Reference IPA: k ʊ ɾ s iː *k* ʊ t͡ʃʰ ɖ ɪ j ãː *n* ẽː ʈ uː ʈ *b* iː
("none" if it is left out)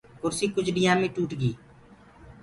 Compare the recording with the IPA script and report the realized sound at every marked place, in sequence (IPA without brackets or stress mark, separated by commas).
k, m, ɡ